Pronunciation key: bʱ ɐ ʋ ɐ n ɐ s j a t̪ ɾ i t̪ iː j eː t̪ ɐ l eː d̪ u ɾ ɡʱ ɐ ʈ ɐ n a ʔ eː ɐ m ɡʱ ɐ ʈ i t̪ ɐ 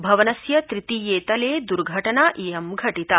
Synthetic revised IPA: bʱ ɐ ʋ ɐ n ɐ s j ɐ t̪ ɾ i t̪ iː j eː t̪ ɐ l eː d̪ u ɾ ɡʱ ɐ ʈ ɐ n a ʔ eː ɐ m ɡʱ ɐ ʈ i t̪ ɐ